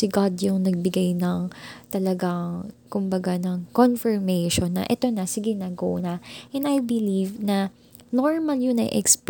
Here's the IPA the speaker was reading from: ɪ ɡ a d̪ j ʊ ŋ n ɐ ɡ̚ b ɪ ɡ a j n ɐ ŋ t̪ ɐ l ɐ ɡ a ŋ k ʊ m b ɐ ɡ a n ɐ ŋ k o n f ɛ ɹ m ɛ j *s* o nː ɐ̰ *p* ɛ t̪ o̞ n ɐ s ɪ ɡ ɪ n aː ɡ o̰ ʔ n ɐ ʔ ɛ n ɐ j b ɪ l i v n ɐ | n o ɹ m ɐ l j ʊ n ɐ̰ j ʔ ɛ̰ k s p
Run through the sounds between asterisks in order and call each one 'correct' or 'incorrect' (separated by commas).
incorrect, incorrect